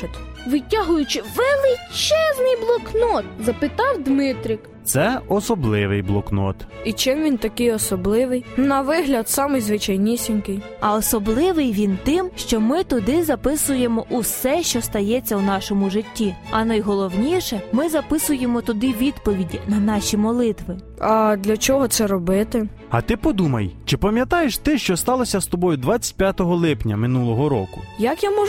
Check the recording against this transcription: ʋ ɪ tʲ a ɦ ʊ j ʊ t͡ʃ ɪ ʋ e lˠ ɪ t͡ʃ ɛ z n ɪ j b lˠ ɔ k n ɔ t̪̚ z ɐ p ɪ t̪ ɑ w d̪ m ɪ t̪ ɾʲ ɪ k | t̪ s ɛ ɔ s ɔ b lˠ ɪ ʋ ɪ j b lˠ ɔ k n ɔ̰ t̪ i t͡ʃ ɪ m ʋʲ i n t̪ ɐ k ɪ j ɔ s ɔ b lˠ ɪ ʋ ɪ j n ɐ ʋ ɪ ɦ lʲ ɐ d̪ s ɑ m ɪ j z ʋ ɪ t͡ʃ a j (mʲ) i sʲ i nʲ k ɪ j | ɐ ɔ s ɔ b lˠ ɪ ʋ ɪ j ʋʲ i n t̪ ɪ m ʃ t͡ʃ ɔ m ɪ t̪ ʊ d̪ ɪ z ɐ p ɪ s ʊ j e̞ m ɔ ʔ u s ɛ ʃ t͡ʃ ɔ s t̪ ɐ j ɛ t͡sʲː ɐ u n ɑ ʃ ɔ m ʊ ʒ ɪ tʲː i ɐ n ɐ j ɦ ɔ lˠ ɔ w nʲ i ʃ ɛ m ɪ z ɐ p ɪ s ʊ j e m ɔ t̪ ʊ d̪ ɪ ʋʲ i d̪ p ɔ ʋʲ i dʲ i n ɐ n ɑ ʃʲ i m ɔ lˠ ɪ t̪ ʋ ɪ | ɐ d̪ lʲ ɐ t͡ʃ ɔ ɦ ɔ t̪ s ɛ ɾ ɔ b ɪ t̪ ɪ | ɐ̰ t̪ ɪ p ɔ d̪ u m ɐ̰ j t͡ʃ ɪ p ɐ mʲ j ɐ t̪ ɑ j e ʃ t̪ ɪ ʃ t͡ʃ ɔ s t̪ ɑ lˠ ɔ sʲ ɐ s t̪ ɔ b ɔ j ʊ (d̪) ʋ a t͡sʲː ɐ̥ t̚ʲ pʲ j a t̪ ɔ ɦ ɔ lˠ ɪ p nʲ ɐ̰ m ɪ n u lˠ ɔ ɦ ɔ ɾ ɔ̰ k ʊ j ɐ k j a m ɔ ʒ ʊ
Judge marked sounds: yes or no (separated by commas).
no, yes